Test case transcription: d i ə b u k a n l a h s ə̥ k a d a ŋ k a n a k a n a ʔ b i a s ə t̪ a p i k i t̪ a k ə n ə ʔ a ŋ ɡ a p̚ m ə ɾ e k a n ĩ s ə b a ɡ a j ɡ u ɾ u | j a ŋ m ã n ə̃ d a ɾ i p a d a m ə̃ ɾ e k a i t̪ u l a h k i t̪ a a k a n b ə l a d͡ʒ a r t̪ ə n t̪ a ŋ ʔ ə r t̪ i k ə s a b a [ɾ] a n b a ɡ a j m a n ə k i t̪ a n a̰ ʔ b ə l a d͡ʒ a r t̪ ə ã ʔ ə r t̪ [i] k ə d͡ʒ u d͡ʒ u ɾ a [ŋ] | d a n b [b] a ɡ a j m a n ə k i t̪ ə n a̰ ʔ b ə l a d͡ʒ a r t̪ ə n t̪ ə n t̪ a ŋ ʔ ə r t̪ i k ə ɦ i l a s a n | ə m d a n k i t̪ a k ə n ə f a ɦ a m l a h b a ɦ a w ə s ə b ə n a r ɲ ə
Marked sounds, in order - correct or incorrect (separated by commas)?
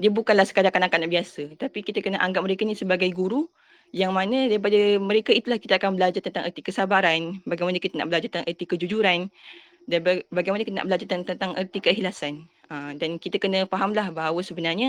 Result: correct, correct, incorrect, correct